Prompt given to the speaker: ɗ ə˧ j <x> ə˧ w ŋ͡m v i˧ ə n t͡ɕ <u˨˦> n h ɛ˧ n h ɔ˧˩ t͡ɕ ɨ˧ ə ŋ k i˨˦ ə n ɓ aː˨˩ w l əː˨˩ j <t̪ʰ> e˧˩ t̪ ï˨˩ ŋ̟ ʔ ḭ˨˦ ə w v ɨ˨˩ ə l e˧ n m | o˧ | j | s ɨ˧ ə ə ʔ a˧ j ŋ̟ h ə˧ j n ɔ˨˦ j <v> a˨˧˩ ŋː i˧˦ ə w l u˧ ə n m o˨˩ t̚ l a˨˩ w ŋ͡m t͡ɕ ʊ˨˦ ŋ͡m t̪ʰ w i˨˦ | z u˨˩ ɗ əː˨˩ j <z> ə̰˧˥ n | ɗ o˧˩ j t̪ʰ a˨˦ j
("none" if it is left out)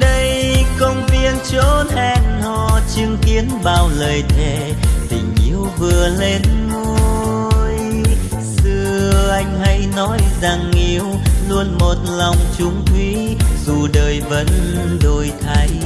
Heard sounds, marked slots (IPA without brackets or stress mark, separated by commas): k, o˨˦, t̪ʰ, z, v